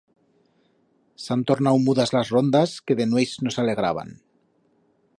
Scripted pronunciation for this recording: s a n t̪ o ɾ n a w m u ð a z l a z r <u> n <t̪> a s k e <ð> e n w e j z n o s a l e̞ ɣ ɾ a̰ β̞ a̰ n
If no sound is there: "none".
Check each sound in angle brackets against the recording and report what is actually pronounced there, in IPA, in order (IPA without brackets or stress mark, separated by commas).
o, d̪, ð